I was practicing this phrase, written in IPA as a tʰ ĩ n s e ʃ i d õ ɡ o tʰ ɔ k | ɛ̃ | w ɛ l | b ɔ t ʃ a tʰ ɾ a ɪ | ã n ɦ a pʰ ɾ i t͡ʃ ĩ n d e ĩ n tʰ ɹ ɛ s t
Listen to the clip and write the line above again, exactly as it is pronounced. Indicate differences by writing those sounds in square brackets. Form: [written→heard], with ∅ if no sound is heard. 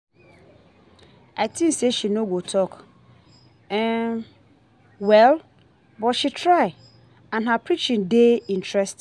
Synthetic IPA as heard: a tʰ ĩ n s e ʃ i [d→n] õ ɡ o tʰ ɔ k | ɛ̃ | w ɛ l | b ɔ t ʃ [a→i] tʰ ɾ a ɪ | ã n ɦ a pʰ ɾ i t͡ʃ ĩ n d e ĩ n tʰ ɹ ɛ s t